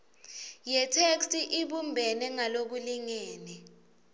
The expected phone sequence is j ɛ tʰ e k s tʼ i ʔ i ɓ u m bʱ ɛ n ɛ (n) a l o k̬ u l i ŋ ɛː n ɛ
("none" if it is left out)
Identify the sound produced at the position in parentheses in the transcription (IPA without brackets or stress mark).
ŋ